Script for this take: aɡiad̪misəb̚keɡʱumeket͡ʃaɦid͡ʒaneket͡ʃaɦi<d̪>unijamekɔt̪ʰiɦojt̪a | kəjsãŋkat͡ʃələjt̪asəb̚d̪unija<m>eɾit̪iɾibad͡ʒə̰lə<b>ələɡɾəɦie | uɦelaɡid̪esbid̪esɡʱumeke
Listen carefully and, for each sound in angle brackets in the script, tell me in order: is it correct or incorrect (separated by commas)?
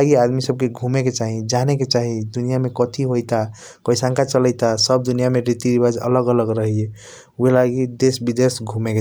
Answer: correct, correct, incorrect